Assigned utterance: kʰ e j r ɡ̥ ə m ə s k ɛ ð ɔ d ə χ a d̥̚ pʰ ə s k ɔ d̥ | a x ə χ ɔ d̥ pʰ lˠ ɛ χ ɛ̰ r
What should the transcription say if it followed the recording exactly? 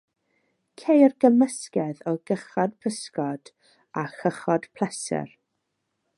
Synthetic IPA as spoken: kʰ e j r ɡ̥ ə m ə s k ɛ ð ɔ ɡ ə χ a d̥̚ pʰ ə s k ɔ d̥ | a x ə χ ɔ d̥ pʰ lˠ ɛ s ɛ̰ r